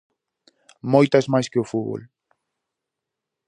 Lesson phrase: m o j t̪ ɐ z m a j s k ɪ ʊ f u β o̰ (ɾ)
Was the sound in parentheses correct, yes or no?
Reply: no